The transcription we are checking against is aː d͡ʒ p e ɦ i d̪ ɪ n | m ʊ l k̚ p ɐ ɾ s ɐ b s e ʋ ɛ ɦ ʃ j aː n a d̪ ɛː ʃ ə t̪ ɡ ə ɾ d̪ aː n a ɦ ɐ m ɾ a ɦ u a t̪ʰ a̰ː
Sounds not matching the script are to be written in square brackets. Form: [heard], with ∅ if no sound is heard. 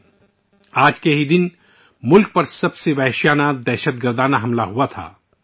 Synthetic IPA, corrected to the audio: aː d͡ʒ [k] e ɦ i d̪ ɪ n | m ʊ l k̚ p ɐ ɾ s ɐ b s e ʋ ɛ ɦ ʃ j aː n a d̪ ɛː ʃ ə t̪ ɡ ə ɾ d̪ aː n a ɦ ɐ m [l] a ɦ u a t̪ʰ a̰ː

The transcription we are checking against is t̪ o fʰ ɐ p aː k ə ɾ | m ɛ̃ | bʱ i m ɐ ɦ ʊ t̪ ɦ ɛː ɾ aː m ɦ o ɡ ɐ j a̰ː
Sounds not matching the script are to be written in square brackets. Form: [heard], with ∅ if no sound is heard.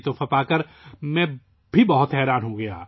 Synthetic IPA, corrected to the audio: t̪ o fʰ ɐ p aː k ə ɾ | m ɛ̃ | bʱ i [b] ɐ ɦ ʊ t̪ ɦ ɛː ɾ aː [n] ɦ o ɡ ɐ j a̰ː

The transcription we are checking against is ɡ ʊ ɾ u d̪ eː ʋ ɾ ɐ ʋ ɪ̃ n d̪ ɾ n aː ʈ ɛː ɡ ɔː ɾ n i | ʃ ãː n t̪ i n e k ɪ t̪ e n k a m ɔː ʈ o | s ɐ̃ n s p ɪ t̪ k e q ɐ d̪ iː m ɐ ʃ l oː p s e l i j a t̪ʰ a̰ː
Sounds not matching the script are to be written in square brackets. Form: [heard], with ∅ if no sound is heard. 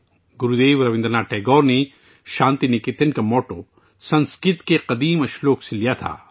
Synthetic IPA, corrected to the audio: ɡ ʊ ɾ u d̪ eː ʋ ɾ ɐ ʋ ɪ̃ n d̪ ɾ n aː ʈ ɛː ɡ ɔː ɾ n [e] | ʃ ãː n t̪ i n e k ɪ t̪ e n k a m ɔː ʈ o | s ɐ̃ n s [k] ɪ t̪ k e q ɐ d̪ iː m ɐ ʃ l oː [k] s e l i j a t̪ʰ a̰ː

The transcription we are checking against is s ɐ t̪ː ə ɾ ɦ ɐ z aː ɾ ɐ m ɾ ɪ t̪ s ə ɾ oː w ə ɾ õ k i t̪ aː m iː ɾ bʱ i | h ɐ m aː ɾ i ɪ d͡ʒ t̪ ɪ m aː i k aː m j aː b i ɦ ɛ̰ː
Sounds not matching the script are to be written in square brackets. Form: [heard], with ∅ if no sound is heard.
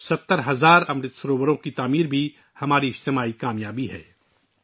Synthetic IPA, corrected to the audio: s ɐ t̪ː ə ɾ ɦ ɐ z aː ɾ ɐ m ɾ ɪ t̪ s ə ɾ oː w ə ɾ õ k i t̪ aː m iː ɾ bʱ i | h ɐ m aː ɾ i ɪ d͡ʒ t̪ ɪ m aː i k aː m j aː b i ɦ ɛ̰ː

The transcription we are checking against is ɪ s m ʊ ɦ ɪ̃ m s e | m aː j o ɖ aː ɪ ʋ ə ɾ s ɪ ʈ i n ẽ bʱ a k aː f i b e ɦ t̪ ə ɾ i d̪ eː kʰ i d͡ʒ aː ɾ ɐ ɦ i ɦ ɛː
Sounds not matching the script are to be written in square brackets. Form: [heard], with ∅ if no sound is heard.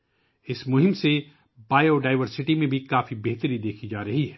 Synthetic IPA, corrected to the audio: ɪ s m ʊ ɦ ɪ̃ m s e | [b] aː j o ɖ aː ɪ ʋ ə ɾ s ɪ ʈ i [m] ẽ bʱ [i] k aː f i b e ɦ t̪ ə ɾ i d̪ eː kʰ i d͡ʒ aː ɾ ɐ ɦ i ɦ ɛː

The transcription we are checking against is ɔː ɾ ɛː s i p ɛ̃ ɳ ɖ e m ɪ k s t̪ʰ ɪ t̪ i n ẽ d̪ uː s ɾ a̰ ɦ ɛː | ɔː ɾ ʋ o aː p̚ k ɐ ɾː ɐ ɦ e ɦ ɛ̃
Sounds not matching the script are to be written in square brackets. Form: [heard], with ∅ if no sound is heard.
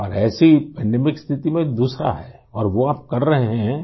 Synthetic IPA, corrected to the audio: ɔː ɾ ɛː s i p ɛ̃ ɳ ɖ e m ɪ k s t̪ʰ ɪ t̪ i [m] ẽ d̪ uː s ɾ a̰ ɦ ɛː | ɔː ɾ ʋ o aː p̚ k ɐ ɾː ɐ ɦ e ɦ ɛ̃

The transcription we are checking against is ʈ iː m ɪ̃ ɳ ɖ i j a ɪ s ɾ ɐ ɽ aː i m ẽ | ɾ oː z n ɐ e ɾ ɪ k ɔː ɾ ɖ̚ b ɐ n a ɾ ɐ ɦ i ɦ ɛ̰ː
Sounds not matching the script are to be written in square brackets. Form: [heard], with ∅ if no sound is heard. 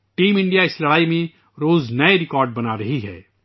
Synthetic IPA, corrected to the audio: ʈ iː m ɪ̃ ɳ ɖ i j a ɪ s [l] ɐ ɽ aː i m ẽ | ɾ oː z n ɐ e ɾ ɪ k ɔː ɾ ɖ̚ b ɐ n a ɾ ɐ ɦ i ɦ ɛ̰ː

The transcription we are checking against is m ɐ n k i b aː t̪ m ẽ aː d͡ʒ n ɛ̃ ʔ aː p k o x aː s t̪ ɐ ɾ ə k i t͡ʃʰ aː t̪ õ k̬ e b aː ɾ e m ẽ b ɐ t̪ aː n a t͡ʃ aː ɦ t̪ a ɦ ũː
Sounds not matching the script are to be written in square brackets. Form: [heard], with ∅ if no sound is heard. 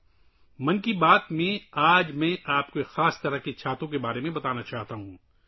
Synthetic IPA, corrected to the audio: m ɐ n k i b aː t̪ m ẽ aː d͡ʒ [m] ɛ̃ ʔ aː p k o x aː s t̪ ɐ ɾ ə k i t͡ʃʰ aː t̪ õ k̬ e b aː ɾ e m ẽ b ɐ t̪ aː n a t͡ʃ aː ɦ t̪ a ɦ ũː

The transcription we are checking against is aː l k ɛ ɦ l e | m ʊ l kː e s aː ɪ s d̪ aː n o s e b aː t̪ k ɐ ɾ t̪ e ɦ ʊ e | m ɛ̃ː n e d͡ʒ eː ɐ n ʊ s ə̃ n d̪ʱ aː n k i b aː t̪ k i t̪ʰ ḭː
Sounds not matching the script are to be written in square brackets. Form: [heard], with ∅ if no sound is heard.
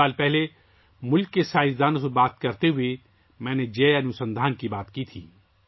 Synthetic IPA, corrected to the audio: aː l [p] ɛ ɦ l e | m ʊ l kː e s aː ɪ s d̪ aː n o s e b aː t̪ k ɐ ɾ t̪ e ɦ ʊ e | m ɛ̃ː n e d͡ʒ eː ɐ n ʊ s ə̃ n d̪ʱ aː n k i b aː t̪ k i t̪ʰ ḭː

